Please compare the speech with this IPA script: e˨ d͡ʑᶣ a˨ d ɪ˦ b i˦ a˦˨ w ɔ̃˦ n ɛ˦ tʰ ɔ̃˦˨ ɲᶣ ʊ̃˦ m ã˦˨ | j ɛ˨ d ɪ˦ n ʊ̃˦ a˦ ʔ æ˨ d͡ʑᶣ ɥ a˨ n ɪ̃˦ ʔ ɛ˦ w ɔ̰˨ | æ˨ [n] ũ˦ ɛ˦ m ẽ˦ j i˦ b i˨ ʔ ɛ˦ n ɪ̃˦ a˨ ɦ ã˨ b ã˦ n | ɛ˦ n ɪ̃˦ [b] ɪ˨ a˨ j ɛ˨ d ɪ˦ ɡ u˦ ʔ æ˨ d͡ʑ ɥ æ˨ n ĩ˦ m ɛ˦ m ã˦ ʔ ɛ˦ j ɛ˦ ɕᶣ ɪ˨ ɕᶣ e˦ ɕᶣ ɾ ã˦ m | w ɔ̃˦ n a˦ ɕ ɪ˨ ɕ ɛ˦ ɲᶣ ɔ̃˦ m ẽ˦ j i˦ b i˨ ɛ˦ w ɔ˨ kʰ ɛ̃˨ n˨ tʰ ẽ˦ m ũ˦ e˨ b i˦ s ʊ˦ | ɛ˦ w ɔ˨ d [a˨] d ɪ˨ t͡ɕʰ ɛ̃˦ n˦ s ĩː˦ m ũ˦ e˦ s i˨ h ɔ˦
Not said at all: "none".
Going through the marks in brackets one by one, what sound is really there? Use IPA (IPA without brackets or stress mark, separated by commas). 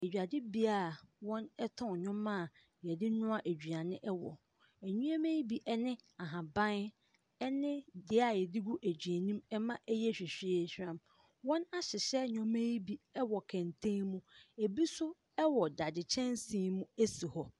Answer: ɲ, d, a˨